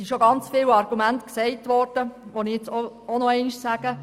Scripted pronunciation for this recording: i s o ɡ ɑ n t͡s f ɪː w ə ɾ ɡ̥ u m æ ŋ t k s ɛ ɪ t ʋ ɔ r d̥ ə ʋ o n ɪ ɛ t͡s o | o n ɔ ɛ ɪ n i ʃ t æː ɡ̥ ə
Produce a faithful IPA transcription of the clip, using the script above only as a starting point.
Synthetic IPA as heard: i ʃ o ɡ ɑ n t͡s f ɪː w ɑ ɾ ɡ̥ u m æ n t k s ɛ ɪ t ʋ ɔ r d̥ ə ʋ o n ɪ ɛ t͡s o | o n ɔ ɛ ɪ n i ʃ s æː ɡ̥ ə